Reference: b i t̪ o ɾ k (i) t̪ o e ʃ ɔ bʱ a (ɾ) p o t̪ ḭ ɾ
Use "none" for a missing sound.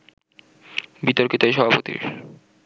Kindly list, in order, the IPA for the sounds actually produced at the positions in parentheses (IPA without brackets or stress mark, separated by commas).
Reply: i, none